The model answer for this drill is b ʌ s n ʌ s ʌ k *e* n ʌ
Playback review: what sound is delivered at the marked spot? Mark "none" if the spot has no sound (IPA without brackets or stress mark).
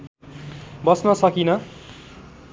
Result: i